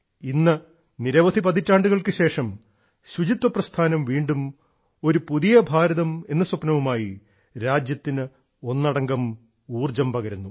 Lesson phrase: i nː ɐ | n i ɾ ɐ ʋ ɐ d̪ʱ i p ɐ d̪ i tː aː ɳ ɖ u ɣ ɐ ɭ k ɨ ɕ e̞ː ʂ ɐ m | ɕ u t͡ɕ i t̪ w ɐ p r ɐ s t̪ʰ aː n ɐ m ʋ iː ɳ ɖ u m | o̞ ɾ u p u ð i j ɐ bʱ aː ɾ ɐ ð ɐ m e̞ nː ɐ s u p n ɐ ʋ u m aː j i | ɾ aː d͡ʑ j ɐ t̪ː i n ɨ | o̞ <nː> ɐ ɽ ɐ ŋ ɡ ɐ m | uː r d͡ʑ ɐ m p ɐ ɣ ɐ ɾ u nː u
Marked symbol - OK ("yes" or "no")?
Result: yes